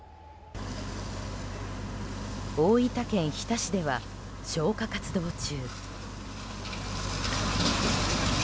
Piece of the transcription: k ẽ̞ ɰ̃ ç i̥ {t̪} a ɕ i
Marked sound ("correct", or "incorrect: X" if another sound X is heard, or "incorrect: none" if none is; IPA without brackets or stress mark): correct